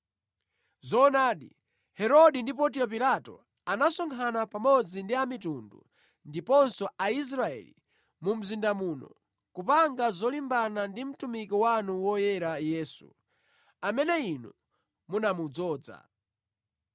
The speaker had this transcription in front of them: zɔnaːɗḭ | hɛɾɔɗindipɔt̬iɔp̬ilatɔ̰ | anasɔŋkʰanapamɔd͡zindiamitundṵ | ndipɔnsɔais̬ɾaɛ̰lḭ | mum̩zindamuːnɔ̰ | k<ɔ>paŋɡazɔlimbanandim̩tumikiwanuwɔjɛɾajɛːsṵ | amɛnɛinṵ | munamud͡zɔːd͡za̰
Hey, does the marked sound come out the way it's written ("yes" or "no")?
no